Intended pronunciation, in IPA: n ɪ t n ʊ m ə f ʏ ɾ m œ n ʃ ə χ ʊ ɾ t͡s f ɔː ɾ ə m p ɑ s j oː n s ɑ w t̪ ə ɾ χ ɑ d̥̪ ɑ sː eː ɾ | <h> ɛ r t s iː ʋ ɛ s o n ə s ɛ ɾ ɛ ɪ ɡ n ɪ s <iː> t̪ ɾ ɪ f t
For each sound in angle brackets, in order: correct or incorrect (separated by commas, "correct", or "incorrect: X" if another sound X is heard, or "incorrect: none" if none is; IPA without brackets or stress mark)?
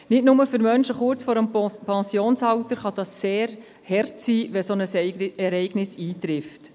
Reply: correct, correct